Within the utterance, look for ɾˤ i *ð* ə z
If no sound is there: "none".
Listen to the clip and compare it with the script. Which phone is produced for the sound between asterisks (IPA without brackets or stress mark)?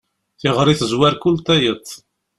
θ